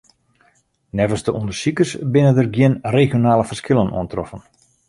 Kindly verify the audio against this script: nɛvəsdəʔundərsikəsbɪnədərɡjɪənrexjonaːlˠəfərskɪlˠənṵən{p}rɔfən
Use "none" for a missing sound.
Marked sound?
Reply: t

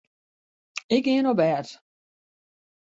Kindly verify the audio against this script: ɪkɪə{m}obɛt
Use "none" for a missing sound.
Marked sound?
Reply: n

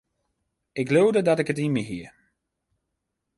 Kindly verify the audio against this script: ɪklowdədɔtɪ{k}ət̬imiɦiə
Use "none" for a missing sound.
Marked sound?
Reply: k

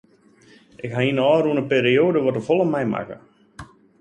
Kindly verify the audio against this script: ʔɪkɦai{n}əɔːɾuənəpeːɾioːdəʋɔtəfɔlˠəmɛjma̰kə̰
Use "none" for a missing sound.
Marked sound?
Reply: n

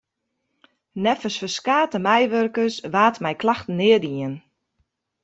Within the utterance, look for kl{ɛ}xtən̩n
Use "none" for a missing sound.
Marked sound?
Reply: a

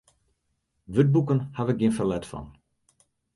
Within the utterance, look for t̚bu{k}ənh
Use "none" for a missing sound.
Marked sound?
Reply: k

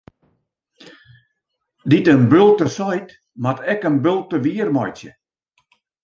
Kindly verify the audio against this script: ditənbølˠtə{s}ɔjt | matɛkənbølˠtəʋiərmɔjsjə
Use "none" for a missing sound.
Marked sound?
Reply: s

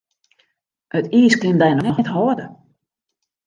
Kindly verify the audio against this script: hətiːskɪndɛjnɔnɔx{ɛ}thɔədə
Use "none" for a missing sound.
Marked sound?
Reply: ɛ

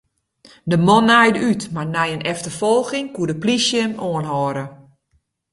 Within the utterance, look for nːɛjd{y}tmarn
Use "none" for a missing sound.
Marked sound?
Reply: y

